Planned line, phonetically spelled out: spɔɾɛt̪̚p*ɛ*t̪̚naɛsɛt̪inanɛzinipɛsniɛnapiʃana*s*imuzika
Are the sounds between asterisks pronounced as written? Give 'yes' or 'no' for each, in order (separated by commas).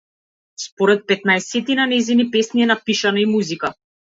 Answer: yes, no